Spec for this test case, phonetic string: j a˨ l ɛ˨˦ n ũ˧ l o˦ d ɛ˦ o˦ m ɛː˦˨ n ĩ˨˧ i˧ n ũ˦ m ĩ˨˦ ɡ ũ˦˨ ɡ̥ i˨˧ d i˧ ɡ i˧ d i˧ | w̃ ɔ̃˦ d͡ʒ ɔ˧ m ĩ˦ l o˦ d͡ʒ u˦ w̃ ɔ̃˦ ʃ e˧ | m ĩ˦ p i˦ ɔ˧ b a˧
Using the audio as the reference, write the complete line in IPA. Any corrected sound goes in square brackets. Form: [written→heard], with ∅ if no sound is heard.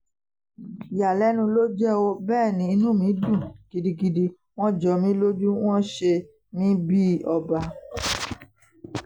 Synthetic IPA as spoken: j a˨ l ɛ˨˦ n ũ˧ l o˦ [d→d͡ʒ] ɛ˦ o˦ [m→b] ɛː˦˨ n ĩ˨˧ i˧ n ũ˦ m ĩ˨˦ [ɡ→d] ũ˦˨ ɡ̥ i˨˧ d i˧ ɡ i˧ d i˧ | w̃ ɔ̃˦ d͡ʒ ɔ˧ m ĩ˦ l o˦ d͡ʒ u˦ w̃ ɔ̃˦ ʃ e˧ | m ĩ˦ [p→b] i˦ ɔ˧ b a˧